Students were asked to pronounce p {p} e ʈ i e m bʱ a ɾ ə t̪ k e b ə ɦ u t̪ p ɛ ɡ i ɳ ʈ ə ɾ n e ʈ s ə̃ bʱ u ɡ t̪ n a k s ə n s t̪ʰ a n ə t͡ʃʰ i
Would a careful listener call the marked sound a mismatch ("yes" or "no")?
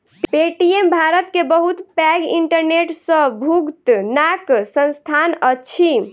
no